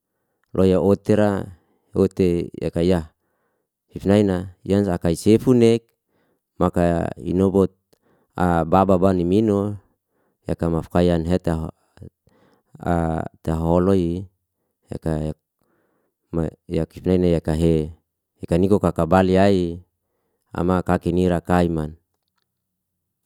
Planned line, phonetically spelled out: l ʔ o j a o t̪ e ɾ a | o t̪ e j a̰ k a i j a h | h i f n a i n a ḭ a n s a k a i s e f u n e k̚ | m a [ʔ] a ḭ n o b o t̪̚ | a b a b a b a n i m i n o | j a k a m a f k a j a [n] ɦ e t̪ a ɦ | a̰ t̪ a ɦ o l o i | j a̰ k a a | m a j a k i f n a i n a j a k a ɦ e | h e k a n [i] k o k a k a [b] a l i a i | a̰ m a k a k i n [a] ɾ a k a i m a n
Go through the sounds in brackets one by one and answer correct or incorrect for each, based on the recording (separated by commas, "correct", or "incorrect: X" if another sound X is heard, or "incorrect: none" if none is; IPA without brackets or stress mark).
incorrect: k, correct, correct, correct, incorrect: i